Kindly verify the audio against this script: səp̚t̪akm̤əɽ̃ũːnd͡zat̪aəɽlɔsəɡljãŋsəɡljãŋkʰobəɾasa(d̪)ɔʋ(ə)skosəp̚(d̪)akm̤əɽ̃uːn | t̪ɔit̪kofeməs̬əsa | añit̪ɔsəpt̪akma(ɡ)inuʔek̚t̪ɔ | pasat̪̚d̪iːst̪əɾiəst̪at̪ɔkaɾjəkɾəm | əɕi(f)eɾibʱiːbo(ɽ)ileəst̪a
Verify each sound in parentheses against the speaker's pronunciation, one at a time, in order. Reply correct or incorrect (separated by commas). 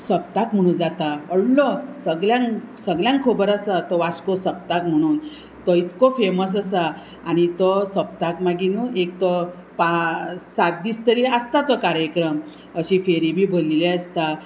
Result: incorrect, incorrect, incorrect, correct, correct, incorrect